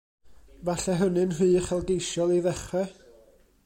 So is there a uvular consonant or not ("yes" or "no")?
yes